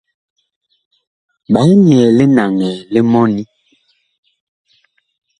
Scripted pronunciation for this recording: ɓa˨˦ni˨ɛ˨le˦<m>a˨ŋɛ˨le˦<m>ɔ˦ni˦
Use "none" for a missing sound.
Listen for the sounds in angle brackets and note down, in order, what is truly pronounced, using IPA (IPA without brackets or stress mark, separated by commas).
n, m